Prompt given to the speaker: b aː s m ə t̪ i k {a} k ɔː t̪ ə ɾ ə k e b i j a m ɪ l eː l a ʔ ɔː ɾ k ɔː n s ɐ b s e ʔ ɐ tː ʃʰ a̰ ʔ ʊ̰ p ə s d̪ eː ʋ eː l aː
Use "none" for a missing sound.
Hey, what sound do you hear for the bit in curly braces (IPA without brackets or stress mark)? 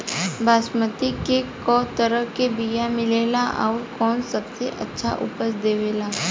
e